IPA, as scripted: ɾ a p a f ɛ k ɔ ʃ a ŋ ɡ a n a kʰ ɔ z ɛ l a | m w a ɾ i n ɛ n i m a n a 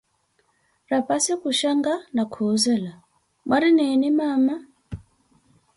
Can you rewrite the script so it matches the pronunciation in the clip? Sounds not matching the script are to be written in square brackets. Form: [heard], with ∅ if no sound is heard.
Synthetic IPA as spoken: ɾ a p a [s] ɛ k [u] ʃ a ŋ ɡ a n a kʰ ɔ z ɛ l a | m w a ɾ i n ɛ n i m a [m] a